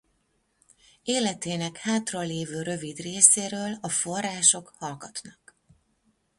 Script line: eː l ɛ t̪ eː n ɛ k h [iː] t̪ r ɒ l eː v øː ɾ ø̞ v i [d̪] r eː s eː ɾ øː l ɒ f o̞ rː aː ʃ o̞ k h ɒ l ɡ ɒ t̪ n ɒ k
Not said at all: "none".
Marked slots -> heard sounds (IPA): aː, d̪

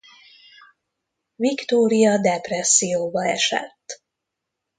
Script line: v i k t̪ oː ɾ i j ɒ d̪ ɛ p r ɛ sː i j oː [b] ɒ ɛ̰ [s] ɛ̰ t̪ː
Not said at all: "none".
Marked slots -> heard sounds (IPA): b, ʃ

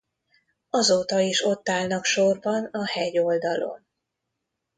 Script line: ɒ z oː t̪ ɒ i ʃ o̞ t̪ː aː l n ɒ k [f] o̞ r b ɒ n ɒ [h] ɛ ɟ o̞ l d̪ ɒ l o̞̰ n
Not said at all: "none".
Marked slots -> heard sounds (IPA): ʃ, h

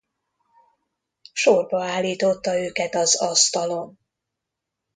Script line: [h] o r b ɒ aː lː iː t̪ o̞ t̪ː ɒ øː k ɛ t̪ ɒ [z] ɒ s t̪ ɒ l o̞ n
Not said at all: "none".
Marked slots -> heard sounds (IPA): ʃ, z

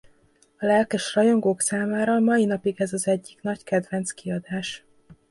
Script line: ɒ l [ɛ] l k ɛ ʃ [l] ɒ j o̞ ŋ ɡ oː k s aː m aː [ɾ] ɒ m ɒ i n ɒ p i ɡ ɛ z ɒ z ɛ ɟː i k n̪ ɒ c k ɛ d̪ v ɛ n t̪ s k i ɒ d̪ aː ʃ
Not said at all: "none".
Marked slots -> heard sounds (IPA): ɛ, r, ɾ

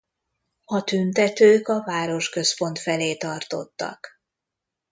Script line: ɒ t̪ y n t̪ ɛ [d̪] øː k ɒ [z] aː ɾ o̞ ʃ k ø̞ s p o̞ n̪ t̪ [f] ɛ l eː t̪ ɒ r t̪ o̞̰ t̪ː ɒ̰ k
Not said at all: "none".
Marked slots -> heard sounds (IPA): t̪, v, f

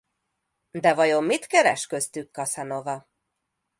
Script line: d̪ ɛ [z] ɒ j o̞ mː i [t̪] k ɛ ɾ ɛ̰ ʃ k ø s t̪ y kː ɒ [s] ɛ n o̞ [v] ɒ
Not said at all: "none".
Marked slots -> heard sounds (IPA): v, t̪, s, v

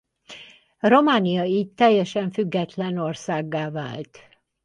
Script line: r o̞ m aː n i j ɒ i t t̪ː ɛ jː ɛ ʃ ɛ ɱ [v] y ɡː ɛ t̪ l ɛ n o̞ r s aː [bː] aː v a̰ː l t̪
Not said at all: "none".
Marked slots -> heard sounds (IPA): f, ɡː

